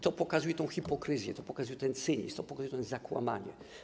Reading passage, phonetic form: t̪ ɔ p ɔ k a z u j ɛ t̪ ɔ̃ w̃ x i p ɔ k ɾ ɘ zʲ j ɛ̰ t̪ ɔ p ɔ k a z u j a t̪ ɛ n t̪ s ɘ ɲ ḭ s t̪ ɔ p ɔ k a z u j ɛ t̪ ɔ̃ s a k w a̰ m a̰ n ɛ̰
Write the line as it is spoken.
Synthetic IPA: t̪ ɔ p ɔ k a z u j ɛ t̪ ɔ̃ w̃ x i p ɔ k ɾ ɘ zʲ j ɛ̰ t̪ ɔ p ɔ k a z u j ɛ t̪ ɛ n t̪ s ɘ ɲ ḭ s t̪ ɔ p ɔ k a z u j ɛ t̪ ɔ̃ z a k w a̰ m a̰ ɲ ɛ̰